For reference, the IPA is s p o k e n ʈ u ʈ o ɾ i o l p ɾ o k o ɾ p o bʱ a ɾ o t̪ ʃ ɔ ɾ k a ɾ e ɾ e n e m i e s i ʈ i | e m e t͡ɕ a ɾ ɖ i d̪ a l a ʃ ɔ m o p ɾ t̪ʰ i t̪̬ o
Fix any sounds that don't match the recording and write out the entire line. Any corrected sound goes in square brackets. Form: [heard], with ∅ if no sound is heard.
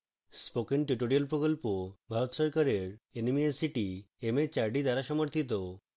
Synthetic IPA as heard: s p o k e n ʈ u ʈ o ɾ i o l p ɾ o k o [l] p o bʱ a ɾ o t̪ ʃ ɔ ɾ k a ɾ e ɾ e n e m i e s i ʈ i | e m e t͡ɕ a ɾ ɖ i d̪ a [ɾ] a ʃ ɔ m o [∅] ɾ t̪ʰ i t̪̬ o